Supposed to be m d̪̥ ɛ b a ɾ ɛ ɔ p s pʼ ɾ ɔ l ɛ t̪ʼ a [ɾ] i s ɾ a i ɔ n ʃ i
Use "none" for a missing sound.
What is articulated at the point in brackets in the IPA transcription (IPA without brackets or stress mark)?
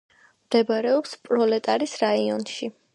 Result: ɾ